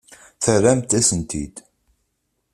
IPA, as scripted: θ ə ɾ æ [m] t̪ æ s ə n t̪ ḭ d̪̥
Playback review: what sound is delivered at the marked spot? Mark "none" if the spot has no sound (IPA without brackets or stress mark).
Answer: m